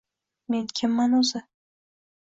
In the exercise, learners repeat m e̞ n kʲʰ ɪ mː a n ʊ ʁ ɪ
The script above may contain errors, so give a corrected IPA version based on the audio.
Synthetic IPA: m e̞ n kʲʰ ɪ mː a n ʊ z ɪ